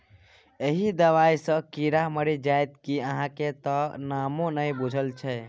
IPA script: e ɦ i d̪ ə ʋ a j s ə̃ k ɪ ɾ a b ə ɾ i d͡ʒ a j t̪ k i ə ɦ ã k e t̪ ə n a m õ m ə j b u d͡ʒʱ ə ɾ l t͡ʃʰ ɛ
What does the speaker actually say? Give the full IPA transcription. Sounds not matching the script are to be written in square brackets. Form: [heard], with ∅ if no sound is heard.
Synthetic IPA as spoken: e ɦ i d̪ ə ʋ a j s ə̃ k [i] ɾ a [m] ə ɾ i d͡ʒ a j t̪ k i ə ɦ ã k e t̪ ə n a m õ [n] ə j b u d͡ʒʱ ə [∅] l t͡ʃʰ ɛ